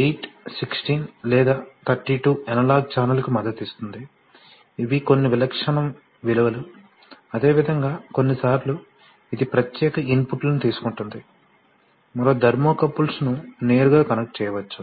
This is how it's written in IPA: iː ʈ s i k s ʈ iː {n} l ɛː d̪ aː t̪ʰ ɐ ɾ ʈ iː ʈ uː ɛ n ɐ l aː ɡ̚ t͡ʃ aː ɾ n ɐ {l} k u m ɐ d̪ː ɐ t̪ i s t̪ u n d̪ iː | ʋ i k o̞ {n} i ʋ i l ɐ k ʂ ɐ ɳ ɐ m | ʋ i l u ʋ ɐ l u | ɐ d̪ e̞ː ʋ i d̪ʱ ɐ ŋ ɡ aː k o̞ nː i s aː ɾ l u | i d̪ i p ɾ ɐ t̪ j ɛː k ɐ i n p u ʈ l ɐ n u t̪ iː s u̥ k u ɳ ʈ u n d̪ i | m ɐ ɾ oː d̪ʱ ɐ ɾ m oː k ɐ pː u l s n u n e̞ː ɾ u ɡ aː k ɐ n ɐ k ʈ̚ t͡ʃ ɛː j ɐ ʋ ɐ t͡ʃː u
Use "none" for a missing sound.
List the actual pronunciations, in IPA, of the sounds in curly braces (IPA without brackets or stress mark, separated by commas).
n, l, nː